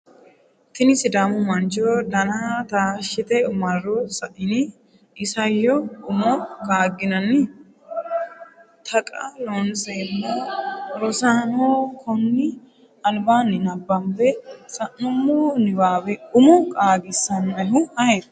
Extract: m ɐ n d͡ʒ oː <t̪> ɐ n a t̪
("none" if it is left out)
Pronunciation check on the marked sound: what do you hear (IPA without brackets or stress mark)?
d̪